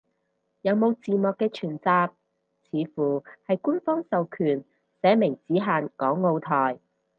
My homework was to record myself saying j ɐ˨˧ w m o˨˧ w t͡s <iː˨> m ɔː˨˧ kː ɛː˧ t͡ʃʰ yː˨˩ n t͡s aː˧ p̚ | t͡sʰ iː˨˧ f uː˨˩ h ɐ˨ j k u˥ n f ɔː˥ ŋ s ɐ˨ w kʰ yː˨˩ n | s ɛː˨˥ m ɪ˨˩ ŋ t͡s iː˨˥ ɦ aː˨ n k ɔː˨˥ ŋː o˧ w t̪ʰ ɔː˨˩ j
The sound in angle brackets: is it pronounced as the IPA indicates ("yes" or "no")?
yes